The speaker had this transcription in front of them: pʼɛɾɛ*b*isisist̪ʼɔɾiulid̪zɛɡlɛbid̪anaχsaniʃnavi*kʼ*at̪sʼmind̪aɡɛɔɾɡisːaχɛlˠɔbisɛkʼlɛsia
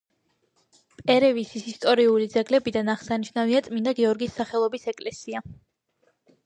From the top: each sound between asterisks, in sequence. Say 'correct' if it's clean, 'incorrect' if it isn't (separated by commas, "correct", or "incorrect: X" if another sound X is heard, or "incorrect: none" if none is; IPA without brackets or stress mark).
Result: incorrect: v, incorrect: none